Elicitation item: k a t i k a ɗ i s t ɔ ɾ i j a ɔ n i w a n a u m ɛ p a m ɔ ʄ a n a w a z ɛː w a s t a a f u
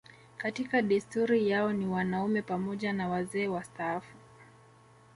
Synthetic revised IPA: k a t i k a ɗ i s t u ɾ i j a ɔ n i w a n a u m ɛ p a m ɔ ʄ a n a w a z ɛː w a s t a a f u